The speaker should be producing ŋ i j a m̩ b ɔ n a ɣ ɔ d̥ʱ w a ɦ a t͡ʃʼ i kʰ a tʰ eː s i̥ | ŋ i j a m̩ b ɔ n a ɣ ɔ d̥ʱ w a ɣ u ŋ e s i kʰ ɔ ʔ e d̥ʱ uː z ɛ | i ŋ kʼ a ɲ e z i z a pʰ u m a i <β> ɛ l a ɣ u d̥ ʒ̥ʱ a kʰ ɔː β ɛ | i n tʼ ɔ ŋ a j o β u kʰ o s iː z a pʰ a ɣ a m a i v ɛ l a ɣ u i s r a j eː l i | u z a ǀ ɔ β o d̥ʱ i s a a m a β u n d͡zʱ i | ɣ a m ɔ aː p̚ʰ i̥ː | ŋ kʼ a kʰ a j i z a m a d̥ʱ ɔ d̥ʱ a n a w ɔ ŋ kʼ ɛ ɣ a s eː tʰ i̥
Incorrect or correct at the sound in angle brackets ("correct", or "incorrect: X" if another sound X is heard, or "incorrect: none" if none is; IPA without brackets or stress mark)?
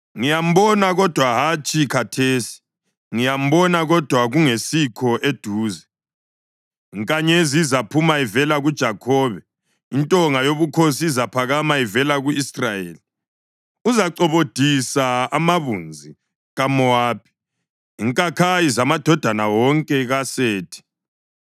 incorrect: v